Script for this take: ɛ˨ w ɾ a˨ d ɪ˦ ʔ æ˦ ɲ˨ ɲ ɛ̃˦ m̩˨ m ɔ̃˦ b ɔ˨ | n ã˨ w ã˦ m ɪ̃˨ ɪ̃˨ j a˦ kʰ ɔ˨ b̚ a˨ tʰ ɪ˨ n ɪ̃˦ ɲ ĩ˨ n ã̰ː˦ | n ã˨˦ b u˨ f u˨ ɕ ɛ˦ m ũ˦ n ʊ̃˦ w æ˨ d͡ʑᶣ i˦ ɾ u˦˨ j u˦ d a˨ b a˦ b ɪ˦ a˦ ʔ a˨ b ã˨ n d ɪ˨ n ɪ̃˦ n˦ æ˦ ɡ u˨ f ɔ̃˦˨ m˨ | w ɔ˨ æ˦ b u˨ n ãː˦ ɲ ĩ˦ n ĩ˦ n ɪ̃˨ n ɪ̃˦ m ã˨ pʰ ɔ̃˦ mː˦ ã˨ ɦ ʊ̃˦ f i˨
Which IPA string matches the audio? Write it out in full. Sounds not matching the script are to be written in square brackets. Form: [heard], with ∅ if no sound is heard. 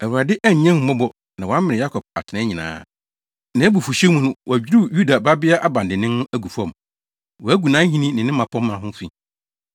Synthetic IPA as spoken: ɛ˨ w ɾ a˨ d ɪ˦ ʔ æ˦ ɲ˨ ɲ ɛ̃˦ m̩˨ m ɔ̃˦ b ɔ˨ | n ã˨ w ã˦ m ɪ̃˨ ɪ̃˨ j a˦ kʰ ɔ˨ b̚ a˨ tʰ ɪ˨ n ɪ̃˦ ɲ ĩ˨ n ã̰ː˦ | n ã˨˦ b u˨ f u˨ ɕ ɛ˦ m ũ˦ n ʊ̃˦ w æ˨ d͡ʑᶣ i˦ ɾ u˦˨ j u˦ d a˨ b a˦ b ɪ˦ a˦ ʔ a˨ b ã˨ n d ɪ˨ n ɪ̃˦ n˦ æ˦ ɡ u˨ f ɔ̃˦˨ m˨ | w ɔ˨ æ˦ [ɡ] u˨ n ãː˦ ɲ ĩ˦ n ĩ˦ n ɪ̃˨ n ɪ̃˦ m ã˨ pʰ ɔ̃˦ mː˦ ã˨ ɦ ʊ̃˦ f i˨

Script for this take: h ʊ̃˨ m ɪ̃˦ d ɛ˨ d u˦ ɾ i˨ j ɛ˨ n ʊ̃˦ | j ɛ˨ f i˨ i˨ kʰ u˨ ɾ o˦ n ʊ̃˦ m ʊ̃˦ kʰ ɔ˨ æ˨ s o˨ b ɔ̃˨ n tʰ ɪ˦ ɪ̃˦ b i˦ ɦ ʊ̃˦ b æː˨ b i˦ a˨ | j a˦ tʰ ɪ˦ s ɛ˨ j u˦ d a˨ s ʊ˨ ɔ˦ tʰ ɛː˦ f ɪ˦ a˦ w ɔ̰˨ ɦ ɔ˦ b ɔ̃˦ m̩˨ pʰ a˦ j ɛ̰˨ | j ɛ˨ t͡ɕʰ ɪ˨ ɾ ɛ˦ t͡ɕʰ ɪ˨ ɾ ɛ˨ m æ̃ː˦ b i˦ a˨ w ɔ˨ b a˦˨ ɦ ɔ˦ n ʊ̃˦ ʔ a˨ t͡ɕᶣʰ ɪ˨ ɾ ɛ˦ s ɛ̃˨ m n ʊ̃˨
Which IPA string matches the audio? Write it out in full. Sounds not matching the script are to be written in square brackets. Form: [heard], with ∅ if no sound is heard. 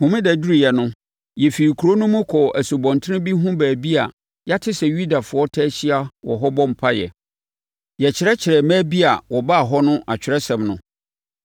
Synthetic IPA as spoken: h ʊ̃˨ m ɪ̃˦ d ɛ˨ d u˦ ɾ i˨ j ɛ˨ n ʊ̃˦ | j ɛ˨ f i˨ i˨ kʰ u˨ ɾ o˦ n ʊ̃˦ m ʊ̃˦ kʰ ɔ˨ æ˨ s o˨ b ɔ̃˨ n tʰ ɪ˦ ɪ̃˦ b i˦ ɦ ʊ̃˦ b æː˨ b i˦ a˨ | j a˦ tʰ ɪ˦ s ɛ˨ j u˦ d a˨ [f] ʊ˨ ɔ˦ tʰ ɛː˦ [ɕ] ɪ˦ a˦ w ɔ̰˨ ɦ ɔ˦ b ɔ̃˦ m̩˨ pʰ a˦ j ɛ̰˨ | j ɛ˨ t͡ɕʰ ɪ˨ ɾ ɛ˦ t͡ɕʰ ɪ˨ ɾ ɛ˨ m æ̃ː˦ b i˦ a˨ w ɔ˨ b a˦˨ ɦ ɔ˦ n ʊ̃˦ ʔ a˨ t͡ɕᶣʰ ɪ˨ ɾ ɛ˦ s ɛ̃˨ m n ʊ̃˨

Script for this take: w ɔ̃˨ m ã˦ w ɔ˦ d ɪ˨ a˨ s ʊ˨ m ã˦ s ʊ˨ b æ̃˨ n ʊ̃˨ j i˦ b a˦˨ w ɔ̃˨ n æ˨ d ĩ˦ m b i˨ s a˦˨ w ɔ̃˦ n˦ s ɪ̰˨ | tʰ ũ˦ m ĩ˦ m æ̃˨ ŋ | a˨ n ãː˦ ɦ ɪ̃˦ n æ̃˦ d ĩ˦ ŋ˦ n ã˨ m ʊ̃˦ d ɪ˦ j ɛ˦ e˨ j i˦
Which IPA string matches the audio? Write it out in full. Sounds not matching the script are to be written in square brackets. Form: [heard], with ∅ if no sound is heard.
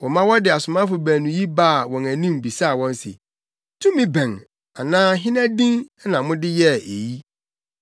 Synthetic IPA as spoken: w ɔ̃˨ m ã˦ w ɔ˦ d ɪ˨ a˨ s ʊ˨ m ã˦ [f] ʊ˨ b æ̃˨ n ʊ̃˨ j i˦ b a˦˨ w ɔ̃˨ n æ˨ [n] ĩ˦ m b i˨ s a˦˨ w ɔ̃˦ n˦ s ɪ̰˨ | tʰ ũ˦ m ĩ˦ [b] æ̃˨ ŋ | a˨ n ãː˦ ɦ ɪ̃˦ n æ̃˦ d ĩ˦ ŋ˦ n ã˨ m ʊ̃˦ d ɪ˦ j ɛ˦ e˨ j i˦

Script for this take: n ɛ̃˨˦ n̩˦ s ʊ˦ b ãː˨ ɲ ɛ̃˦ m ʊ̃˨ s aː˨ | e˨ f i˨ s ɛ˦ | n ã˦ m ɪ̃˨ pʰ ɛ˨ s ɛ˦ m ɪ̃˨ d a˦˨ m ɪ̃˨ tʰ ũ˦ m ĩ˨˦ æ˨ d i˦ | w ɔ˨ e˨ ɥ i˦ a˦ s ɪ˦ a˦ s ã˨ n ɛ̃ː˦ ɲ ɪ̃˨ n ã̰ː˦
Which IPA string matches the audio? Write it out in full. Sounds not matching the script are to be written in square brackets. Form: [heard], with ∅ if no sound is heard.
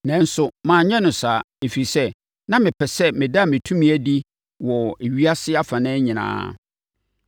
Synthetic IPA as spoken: n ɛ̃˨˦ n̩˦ s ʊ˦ [m] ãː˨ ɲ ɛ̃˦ [n] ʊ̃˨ s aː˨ | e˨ f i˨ s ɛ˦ | n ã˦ m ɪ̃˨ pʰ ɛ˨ s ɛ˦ m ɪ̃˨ d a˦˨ m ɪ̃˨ tʰ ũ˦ m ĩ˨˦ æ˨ d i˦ | w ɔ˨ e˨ ɥ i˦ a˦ s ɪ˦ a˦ [f] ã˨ n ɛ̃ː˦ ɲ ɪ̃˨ n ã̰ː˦

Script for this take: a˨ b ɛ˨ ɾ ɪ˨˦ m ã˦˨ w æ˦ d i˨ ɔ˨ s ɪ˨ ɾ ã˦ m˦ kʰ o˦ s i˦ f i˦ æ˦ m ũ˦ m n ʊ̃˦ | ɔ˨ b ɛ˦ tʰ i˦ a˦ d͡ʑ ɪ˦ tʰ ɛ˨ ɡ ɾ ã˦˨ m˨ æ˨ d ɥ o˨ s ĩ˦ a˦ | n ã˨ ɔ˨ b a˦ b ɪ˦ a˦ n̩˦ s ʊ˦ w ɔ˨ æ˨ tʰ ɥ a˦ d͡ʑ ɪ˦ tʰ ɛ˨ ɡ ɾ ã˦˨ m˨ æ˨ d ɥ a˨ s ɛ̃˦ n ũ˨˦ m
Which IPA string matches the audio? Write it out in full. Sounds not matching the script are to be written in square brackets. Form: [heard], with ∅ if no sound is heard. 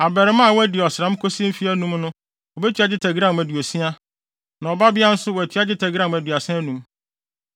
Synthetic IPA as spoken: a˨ b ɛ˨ ɾ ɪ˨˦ m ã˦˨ w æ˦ d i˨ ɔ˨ s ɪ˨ ɾ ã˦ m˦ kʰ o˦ s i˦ f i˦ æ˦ [n] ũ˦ m n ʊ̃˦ | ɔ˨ b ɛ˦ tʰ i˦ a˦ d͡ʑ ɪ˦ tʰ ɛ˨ ɡ ɾ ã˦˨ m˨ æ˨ d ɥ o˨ s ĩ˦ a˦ | n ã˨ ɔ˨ b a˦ b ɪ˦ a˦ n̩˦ s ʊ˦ w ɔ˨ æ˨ tʰ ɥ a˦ d͡ʑ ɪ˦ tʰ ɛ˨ ɡ ɾ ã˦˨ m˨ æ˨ d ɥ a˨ s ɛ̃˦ n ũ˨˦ m

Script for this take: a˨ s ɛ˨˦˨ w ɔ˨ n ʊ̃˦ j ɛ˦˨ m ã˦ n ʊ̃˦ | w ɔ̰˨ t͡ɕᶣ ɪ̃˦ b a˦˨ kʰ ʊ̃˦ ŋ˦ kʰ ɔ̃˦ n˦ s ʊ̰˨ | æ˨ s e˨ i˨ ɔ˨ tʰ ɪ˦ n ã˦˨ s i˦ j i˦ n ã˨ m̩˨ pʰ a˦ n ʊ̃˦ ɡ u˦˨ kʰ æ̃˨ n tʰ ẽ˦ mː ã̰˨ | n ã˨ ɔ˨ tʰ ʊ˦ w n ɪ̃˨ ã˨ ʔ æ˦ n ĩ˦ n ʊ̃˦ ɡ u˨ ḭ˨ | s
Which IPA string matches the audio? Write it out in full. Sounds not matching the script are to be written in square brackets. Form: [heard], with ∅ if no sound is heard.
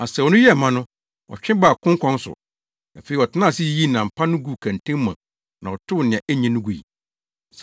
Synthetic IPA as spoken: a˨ s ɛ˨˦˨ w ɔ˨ n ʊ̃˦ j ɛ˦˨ m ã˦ n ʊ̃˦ | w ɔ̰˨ t͡ɕᶣ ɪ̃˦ b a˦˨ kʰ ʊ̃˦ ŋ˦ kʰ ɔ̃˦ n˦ s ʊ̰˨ | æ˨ [f] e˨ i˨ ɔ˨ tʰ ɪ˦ n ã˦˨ s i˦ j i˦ n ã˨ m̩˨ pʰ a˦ n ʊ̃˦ ɡ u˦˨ kʰ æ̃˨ n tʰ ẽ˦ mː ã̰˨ | n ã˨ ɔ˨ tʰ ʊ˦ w n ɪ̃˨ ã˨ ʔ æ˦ [ɲ] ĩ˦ n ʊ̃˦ ɡ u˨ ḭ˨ | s

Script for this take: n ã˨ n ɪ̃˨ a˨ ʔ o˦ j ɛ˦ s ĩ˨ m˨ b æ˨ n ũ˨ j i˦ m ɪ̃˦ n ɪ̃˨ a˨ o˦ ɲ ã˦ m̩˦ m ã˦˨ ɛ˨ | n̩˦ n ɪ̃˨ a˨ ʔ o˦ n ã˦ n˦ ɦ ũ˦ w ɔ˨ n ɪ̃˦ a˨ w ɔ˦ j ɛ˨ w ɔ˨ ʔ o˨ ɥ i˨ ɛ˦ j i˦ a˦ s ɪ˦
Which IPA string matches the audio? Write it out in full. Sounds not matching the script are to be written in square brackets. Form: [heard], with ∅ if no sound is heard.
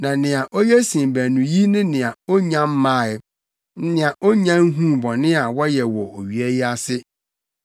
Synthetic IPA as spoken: n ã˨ n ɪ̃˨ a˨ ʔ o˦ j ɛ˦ s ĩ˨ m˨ b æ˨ n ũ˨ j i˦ [n] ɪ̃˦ n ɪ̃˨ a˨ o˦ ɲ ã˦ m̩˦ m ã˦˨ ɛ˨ | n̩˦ n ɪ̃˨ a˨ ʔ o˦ [ɲ] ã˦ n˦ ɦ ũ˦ [b] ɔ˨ n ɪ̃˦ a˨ w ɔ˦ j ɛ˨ w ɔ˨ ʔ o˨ ɥ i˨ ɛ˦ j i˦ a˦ s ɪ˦

